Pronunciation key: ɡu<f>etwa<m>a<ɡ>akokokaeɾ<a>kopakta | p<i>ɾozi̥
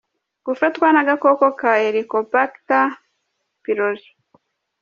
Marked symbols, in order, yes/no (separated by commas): yes, no, yes, no, yes